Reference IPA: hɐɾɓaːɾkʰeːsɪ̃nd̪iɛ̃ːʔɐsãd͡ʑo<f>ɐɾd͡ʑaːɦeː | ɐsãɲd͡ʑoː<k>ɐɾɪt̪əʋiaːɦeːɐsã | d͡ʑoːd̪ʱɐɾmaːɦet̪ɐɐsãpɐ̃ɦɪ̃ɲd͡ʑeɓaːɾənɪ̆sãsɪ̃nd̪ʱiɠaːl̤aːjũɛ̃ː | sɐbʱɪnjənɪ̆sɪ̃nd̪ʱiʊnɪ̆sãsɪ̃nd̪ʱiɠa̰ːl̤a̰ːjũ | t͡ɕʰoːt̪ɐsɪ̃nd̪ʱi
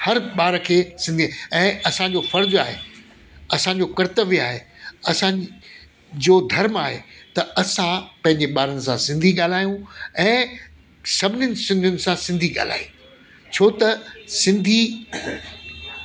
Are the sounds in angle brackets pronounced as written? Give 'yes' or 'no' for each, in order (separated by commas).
yes, yes